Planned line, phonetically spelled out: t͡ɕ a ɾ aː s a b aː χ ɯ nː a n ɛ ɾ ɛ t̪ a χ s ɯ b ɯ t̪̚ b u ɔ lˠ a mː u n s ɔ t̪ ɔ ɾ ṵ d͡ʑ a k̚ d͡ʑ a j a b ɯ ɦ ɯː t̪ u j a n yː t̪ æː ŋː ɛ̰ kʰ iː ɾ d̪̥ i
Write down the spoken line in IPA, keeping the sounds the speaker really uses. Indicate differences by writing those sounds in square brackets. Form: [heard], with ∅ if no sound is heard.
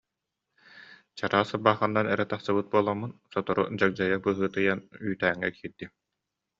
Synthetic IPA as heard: t͡ɕ a ɾ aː s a b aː χ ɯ nː a n ɛ ɾ ɛ t̪ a χ s ɯ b ɯ t̪̚ b u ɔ lˠ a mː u n s ɔ t̪ ɔ ɾ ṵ d͡ʑ a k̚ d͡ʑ a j a b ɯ ɦ ɯː t̪ [ɯ] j a n yː t̪ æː ŋː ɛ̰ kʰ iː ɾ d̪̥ i